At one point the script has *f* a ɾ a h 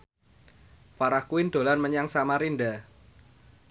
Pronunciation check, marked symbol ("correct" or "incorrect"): correct